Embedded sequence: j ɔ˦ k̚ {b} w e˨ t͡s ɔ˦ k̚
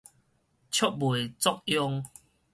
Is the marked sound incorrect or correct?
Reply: correct